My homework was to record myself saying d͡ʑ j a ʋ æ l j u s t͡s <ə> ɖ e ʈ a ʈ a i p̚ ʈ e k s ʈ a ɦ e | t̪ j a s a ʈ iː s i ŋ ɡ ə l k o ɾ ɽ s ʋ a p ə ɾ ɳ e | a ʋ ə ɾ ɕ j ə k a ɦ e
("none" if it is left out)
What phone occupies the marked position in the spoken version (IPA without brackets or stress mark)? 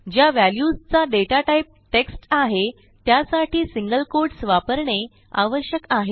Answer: a